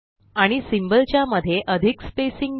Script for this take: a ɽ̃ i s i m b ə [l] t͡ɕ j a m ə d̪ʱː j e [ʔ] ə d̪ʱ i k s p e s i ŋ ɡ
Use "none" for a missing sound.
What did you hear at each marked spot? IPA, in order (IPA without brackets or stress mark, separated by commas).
l, ʔ